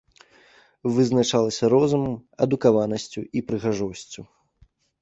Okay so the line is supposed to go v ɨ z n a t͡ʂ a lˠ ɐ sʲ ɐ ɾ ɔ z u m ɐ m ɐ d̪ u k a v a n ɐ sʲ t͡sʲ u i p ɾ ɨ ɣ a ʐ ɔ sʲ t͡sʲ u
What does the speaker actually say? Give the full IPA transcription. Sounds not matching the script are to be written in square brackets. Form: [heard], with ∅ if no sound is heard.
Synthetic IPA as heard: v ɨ z n a t͡ʂ a lˠ ɐ sʲ ɐ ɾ ɔ z u m ɐ m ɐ d̪ u k a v a n ɐ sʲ t͡sʲ u i p ɾ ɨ ɣ a ʐ ɔ sʲ t͡sʲ u